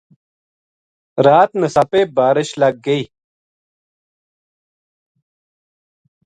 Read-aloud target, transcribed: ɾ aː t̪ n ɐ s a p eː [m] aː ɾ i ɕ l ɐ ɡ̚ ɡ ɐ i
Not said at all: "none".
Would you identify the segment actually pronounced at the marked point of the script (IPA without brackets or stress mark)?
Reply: b